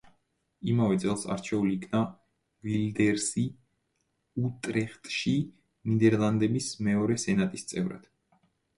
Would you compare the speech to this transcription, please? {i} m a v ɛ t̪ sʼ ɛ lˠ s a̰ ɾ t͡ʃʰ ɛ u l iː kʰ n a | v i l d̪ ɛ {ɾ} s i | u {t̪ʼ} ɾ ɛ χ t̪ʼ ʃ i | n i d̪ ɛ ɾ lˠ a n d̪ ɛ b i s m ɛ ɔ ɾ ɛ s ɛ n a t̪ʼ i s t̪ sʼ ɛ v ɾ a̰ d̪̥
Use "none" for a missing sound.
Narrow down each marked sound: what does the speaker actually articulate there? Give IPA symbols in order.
i, ɾ, t̪ʼ

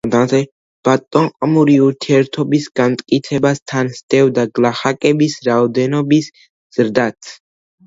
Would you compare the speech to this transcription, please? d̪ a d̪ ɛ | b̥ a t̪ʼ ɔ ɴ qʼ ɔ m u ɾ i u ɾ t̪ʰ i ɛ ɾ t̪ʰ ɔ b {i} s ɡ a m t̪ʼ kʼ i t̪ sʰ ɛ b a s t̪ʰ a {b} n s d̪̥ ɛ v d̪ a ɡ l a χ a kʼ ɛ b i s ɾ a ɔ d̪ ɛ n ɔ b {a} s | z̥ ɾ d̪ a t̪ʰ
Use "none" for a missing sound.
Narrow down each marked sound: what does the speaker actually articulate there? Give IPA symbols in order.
i, none, i

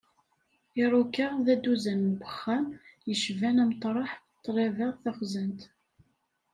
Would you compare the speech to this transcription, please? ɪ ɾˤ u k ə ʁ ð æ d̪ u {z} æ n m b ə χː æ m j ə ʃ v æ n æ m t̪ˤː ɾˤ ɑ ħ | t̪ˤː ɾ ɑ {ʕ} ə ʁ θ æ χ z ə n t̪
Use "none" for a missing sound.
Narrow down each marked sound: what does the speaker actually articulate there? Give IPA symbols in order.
z, v

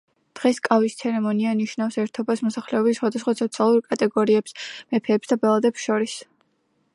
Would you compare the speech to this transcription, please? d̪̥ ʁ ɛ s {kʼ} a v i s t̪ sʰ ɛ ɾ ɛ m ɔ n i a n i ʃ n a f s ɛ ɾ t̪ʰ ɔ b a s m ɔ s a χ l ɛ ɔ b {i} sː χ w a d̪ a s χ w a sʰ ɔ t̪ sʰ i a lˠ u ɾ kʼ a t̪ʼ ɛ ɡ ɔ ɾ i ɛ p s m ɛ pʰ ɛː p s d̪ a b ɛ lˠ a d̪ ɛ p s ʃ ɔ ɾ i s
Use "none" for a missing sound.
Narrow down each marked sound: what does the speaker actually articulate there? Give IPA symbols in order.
kʼ, i

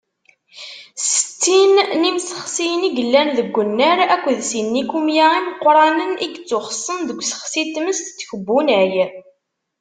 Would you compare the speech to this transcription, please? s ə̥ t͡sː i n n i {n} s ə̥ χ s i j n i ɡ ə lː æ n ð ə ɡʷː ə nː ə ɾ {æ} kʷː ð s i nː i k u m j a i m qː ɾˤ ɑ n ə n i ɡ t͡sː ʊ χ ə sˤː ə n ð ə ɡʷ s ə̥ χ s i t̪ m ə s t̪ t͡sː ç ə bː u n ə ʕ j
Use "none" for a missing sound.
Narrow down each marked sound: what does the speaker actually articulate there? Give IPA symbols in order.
m, æ

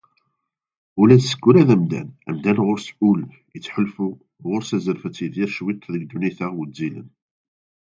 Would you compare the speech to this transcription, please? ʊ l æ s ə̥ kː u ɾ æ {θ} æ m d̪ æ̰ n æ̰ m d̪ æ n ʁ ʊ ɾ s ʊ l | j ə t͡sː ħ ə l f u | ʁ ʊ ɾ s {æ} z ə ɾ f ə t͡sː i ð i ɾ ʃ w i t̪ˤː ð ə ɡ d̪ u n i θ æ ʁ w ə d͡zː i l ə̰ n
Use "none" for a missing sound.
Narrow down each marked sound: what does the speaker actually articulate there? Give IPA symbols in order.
ð, æ

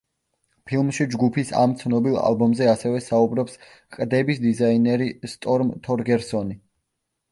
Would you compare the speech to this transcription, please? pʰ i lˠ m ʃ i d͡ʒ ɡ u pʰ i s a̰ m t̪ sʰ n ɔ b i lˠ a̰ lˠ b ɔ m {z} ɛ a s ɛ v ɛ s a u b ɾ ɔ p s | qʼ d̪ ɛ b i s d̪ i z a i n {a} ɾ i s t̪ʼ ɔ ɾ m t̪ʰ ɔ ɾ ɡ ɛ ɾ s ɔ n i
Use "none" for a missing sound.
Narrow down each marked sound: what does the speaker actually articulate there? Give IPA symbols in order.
z, ɛ

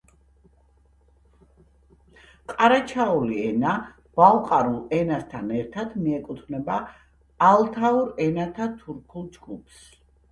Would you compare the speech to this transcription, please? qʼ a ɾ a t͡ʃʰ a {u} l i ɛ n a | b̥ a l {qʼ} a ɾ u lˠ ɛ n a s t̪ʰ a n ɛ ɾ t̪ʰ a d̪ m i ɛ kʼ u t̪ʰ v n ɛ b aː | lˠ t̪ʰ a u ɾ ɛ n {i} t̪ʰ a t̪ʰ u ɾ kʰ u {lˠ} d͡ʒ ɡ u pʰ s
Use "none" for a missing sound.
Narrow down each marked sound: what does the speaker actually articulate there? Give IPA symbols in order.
u, qʼ, a, lˠ

